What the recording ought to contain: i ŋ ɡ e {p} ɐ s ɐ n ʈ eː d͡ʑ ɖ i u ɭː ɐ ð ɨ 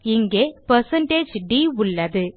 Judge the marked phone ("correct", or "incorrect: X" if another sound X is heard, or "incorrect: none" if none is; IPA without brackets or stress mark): correct